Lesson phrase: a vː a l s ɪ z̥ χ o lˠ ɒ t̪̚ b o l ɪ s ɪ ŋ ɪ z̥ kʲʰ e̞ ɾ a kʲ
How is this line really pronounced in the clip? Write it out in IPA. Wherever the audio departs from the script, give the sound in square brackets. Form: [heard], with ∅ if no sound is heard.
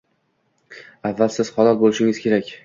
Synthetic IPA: a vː a l s ɪ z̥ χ [ɒ] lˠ ɒ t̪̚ b o l ɪ [ʃ] ɪ ŋ ɪ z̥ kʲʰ e̞ ɾ a kʲ